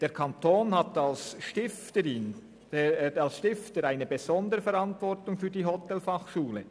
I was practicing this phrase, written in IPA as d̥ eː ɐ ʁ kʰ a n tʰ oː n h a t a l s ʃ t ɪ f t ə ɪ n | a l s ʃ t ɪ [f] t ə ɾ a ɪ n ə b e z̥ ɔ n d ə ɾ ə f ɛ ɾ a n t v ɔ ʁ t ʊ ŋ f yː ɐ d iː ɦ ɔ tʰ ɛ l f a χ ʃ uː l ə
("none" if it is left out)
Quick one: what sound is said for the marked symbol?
f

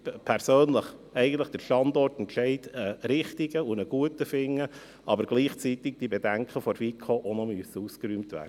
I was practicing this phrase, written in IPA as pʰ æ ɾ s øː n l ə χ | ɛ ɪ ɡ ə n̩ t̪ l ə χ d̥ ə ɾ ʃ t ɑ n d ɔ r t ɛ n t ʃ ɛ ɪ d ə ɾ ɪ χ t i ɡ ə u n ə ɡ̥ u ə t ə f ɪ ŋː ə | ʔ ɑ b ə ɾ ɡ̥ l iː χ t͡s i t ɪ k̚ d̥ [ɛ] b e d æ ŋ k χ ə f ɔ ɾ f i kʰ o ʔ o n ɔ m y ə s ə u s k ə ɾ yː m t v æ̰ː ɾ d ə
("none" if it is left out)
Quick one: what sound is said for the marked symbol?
i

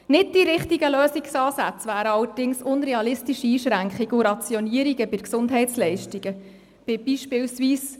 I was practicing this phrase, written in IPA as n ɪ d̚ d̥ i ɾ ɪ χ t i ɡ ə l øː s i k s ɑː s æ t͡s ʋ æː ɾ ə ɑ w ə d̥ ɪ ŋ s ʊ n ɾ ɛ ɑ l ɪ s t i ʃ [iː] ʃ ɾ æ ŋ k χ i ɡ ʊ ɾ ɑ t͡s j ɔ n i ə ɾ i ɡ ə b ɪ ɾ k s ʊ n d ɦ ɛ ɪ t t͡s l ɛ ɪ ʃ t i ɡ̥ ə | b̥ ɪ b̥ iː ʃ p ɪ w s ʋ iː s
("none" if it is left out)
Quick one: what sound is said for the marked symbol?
iː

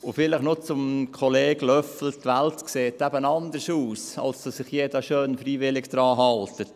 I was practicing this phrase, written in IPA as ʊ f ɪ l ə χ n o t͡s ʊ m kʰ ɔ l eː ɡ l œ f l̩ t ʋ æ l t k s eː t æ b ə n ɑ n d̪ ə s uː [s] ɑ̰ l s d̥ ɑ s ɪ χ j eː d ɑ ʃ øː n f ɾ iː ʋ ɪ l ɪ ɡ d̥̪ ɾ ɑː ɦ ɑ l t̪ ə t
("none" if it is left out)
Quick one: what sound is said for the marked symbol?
s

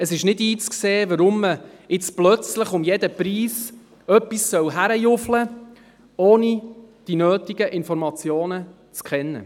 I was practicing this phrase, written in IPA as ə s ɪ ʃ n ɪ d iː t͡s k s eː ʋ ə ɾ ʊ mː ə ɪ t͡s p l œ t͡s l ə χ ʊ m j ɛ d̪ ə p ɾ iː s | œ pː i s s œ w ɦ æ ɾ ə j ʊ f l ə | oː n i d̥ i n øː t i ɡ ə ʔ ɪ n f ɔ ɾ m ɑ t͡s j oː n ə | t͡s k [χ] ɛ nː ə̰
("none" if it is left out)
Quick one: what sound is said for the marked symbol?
χ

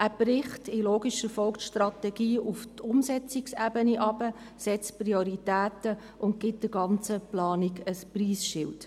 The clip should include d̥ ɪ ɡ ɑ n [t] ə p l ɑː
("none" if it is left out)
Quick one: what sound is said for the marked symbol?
t͡s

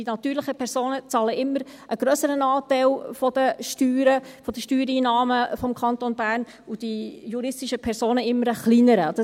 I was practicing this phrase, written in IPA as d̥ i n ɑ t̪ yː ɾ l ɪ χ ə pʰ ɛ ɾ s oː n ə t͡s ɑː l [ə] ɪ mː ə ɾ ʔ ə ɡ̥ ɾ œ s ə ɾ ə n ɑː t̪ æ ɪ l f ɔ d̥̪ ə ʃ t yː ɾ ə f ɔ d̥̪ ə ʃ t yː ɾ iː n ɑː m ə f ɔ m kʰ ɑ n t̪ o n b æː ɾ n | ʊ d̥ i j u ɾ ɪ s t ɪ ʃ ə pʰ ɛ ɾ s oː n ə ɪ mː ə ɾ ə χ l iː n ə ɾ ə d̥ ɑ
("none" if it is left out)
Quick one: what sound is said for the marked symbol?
ə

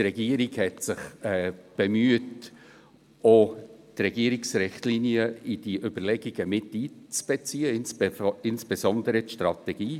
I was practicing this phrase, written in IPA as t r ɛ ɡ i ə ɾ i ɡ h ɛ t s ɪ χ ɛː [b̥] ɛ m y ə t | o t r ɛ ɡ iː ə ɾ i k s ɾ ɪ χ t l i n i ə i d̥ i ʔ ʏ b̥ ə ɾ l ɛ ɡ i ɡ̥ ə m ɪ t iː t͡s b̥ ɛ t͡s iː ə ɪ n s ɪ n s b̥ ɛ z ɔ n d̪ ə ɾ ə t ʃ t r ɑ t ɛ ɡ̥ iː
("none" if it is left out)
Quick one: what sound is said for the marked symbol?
b̥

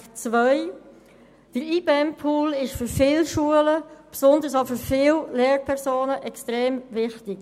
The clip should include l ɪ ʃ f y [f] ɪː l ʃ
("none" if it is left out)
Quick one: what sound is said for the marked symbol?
f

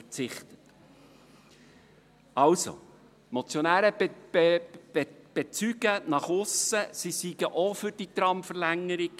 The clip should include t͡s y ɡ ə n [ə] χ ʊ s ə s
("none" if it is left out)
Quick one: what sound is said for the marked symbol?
ɑ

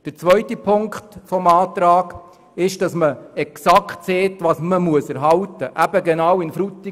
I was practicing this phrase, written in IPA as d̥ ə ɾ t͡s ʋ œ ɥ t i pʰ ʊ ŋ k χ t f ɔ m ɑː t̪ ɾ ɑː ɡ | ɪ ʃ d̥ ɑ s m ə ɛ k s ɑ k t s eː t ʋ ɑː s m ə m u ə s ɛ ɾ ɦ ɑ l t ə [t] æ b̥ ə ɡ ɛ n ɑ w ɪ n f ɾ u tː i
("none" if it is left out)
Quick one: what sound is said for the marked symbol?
ʔ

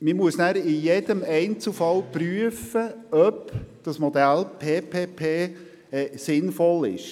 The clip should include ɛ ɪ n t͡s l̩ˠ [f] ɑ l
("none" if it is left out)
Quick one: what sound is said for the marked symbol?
f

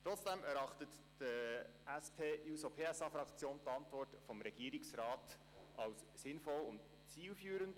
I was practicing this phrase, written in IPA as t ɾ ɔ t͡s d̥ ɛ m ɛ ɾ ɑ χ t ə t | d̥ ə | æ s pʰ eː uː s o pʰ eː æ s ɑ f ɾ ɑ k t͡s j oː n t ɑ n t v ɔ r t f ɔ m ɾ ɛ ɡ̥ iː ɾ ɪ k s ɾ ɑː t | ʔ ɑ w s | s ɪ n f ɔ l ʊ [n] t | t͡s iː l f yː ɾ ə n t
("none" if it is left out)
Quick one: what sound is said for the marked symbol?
n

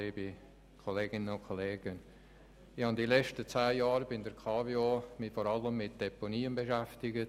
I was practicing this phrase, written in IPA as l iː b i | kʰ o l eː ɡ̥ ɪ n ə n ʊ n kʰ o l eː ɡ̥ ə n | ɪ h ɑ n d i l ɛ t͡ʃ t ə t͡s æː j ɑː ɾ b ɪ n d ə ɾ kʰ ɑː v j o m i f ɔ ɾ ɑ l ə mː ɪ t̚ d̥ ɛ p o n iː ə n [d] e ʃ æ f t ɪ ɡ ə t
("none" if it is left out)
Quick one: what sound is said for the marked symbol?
b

